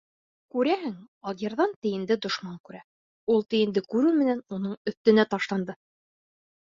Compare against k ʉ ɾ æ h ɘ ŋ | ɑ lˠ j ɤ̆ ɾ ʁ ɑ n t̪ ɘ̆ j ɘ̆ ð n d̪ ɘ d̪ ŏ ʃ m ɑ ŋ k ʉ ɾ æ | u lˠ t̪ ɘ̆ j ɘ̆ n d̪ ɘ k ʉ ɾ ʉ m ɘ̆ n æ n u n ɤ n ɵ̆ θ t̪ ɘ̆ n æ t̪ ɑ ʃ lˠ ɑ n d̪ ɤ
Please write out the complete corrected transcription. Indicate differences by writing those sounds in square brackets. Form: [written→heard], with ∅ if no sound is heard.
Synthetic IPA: k ʉ ɾ æ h ɘ ŋ | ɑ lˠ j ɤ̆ ɾ [ʁ→ð] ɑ n t̪ ɘ̆ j ɘ̆ [ð→∅] n d̪ ɘ d̪ ŏ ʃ m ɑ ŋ k ʉ ɾ æ | u lˠ t̪ ɘ̆ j ɘ̆ n d̪ ɘ k ʉ ɾ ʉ m ɘ̆ n æ n u n ɤ [n→ɴ] ɵ̆ θ t̪ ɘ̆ n æ t̪ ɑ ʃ lˠ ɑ n d̪ ɤ